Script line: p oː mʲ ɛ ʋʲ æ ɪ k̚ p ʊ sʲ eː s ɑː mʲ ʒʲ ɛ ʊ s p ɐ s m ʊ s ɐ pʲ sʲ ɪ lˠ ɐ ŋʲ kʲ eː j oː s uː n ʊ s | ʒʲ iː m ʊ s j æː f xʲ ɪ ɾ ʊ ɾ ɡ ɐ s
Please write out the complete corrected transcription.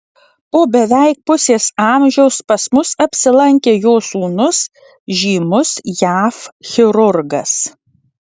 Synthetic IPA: p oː bʲ ɛ ʋʲ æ ɪ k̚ p ʊ sʲ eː s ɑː mʲ ʒʲ ɛ ʊ s p ɐ s m ʊ s ɐ pʲ sʲ ɪ lˠ ɐ ŋʲ kʲ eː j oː s uː n ʊ s | ʒʲ iː m ʊ s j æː f xʲ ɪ ɾ ʊ ɾ ɡ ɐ s